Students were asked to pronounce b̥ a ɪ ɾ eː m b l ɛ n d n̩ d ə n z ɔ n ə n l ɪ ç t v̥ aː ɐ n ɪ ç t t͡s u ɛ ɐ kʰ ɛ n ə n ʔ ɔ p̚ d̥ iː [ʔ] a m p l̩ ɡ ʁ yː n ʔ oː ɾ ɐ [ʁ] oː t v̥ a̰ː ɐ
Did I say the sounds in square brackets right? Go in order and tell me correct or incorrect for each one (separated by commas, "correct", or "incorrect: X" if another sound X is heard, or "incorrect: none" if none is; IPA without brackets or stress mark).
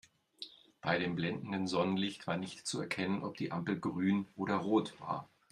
correct, correct